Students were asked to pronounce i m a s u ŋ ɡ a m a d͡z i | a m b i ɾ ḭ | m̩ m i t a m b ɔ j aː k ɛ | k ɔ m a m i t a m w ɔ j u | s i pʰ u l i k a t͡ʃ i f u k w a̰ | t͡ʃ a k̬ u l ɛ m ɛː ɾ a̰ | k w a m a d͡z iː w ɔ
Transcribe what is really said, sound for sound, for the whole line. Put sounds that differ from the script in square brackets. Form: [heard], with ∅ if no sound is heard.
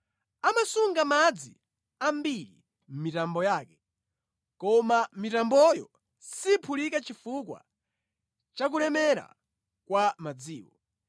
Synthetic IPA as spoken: [a] m a s u ŋ ɡ a m a d͡z i | a m b i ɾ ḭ | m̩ m i t a m b ɔ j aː k ɛ | k ɔ m a m i t a m [b] ɔ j [ɔ] | s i pʰ u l i k a t͡ʃ i f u k w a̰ | t͡ʃ a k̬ u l ɛ m [ɛ] ɾ a̰ | k w a m a d͡z iː w ɔ